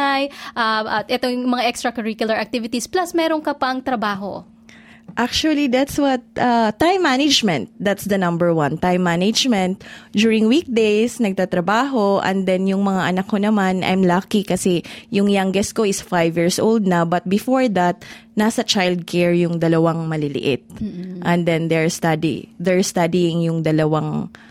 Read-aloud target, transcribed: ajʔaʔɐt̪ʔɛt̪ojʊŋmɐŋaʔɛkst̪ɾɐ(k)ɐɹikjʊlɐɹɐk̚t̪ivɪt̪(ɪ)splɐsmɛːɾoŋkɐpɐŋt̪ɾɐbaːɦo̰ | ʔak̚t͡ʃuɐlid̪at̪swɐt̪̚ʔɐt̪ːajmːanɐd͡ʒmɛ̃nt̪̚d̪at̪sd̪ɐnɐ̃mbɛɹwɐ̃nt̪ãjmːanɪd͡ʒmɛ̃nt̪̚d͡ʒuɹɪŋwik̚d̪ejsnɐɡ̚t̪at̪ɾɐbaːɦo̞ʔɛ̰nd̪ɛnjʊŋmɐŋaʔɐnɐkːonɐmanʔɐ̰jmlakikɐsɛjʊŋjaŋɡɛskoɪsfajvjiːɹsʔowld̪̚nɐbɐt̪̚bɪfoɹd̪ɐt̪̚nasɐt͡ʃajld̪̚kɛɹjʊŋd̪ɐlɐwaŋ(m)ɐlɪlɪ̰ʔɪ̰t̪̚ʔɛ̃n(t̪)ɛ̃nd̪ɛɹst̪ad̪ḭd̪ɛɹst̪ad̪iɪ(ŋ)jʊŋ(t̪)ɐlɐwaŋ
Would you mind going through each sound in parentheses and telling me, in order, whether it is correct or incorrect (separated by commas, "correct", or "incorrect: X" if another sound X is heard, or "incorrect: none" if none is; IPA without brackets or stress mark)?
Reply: correct, incorrect: i, correct, incorrect: d̪, correct, incorrect: d̪